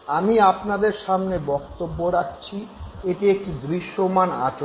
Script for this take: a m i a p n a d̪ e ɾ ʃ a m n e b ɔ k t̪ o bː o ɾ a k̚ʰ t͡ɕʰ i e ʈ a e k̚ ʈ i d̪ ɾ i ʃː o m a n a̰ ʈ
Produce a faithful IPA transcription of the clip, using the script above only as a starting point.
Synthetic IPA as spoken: a m i a p n a d̪ e ɾ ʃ a m n e b ɔ k t̪ o bː o ɾ a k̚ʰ t͡ɕʰ i e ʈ i e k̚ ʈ i d̪ ɾ i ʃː o m a n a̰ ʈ